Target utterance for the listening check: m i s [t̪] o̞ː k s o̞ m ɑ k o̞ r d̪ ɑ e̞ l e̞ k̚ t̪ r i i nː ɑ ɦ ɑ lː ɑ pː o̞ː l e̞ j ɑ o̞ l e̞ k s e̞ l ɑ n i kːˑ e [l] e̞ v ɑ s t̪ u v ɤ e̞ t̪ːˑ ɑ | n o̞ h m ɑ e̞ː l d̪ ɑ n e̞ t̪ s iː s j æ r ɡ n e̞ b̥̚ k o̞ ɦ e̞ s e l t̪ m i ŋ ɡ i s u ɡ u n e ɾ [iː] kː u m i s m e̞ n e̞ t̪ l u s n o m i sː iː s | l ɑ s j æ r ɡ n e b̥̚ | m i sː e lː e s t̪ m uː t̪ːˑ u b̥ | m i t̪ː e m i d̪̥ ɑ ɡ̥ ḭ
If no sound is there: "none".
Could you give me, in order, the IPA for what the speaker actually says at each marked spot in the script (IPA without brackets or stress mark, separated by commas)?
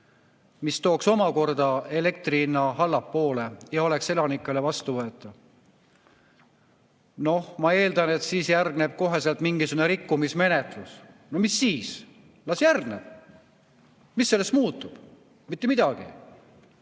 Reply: t̪, l, i